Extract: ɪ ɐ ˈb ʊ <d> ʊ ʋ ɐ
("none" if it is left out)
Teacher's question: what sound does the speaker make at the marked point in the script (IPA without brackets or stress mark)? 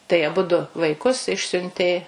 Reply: d